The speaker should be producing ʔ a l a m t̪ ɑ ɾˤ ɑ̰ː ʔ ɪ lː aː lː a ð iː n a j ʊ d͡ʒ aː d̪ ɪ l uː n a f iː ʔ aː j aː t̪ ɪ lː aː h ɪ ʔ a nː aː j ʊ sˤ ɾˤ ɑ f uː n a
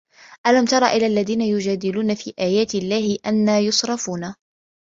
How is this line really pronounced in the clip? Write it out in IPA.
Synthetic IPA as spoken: ʔ a l a m t̪ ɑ ɾˤ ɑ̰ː ʔ ɪ l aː lː a ð iː n a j ʊ d͡ʒ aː d̪ ɪ l uː n a f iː ʔ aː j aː t̪ ɪ lː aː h ɪ ʔ a nː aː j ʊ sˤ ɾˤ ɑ f uː n a